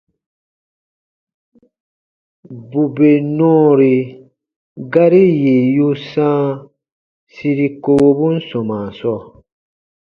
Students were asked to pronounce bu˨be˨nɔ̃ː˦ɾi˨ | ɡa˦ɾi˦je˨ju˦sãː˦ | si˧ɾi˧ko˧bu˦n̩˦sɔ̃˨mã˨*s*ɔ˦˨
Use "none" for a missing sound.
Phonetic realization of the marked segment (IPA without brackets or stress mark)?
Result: s